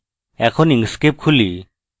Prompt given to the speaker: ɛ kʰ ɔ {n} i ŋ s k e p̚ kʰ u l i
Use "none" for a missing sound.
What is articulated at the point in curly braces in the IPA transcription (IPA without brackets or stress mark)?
n